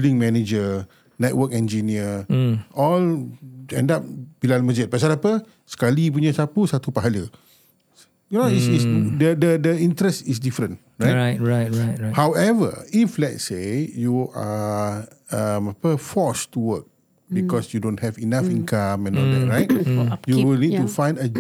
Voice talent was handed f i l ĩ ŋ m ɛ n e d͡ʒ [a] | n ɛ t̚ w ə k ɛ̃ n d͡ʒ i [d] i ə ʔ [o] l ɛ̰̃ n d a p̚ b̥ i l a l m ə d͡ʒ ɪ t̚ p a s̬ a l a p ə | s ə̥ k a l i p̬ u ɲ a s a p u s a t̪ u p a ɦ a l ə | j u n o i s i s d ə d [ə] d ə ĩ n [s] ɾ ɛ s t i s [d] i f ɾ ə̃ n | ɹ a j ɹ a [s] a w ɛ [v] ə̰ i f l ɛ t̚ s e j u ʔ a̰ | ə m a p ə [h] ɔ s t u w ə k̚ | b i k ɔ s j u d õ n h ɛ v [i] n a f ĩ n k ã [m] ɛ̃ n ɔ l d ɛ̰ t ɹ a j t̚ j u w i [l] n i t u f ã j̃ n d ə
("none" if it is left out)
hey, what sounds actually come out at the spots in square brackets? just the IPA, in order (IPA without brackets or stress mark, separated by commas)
ə, n, ɔ, ə, t, d, h, v, f, i, m, l